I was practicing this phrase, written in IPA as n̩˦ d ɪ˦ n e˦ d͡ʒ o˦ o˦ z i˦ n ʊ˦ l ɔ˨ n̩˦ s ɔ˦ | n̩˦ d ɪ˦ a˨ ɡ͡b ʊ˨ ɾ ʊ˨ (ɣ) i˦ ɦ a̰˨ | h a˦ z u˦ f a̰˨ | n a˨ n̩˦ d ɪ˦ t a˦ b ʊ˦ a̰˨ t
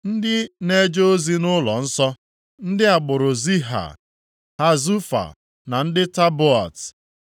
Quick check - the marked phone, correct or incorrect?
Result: incorrect